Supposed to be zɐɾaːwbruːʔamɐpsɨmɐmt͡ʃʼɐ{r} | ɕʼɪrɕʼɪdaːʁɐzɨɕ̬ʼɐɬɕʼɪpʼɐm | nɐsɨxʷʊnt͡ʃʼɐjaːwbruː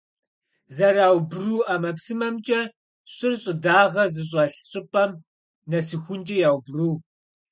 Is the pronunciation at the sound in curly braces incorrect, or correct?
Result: incorrect